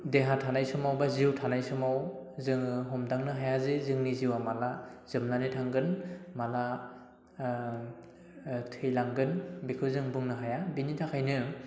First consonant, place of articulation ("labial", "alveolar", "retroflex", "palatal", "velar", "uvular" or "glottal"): alveolar